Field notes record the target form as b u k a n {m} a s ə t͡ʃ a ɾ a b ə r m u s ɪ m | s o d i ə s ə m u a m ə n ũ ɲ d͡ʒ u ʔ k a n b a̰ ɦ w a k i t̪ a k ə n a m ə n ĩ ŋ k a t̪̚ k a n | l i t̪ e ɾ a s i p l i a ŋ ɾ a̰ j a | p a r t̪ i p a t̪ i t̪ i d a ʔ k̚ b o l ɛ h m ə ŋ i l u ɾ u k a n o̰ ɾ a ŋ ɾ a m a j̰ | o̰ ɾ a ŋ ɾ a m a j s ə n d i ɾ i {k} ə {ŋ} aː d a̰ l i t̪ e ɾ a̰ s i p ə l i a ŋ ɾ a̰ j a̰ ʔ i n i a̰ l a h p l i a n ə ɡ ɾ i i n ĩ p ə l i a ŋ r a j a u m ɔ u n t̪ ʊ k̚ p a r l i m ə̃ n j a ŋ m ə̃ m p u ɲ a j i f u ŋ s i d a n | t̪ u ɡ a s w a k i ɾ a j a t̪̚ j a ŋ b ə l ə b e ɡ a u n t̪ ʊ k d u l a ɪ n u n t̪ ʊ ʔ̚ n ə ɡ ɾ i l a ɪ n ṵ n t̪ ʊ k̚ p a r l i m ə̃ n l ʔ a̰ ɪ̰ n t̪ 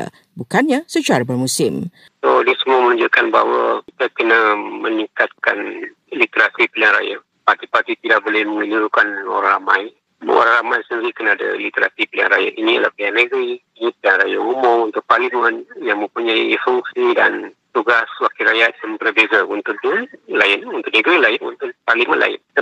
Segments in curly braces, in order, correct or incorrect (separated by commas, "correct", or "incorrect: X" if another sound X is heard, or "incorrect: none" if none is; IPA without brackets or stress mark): incorrect: ɲ, correct, incorrect: n